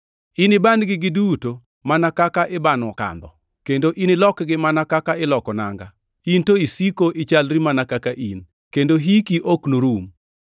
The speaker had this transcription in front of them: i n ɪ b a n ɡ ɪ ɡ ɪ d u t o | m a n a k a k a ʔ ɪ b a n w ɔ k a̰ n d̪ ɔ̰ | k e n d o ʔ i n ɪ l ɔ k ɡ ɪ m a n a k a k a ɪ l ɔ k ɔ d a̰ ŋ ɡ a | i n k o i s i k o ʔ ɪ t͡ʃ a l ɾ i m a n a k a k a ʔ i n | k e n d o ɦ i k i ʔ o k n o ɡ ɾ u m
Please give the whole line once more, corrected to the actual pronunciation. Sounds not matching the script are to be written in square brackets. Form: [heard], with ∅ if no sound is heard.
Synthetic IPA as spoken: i n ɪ b a n ɡ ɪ ɡ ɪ d u t o | m a n a k a k a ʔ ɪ b a n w ɔ k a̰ n d̪ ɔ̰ | k e n d o ʔ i n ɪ l ɔ k ɡ ɪ m a n a k a k a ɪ l ɔ k ɔ [n] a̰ ŋ ɡ a | i n [t] o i s i k o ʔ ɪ t͡ʃ a l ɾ i m a n a k a k a ʔ i n | k e n d o ɦ i k i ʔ o k n o [∅] ɾ u m